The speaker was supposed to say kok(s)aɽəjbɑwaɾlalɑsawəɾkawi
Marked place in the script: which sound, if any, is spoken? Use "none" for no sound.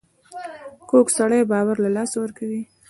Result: s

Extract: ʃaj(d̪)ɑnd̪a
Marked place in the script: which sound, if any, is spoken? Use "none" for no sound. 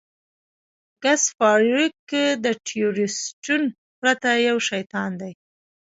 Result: t̪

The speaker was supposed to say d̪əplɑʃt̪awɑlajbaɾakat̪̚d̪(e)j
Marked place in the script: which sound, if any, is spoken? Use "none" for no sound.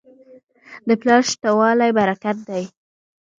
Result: a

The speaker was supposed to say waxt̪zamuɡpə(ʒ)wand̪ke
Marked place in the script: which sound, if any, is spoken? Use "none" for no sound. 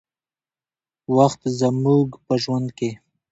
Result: ʒ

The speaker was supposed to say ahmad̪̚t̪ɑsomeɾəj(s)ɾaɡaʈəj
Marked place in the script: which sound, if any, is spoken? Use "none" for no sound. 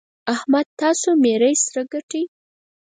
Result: s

